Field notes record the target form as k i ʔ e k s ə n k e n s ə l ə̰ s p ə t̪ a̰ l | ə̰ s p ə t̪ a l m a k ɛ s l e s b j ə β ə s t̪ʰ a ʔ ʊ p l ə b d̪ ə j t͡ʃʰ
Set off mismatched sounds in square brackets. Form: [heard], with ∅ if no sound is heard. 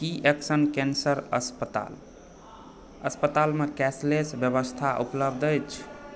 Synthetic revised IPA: k i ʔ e k s ə n k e n s ə [ɾ] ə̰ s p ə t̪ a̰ l | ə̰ s p ə t̪ a l m [e] k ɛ s l e s b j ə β ə s t̪ʰ a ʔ [u] p l ə b d̪ ə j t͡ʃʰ